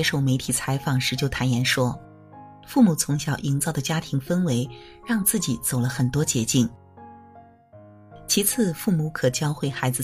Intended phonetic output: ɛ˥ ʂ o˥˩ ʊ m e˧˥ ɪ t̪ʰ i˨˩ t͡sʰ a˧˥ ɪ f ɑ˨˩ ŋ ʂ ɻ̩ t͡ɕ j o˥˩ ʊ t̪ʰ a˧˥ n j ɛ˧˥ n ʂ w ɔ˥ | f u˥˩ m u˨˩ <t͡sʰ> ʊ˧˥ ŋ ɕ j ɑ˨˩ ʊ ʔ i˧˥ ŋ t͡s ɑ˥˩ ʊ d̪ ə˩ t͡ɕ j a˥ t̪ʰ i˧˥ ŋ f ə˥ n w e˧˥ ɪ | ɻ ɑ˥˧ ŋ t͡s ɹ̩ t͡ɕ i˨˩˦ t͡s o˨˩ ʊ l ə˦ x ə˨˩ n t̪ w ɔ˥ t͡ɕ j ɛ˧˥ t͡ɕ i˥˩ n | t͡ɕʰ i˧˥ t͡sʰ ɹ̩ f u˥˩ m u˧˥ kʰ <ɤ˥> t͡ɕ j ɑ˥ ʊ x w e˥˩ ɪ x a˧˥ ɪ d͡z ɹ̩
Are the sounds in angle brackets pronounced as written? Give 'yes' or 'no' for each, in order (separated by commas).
yes, no